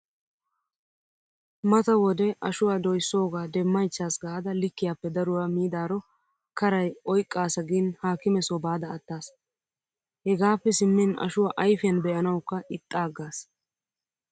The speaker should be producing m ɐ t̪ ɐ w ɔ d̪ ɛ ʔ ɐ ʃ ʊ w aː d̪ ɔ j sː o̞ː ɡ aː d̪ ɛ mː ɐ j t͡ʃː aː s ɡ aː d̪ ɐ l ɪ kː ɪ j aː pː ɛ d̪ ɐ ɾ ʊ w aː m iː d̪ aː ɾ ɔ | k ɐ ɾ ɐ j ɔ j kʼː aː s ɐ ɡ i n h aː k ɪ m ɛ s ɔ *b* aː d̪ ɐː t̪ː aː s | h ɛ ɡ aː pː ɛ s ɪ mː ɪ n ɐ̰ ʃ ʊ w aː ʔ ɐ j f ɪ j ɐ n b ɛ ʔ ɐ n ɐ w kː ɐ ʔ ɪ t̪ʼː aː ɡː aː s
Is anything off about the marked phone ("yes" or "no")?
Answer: no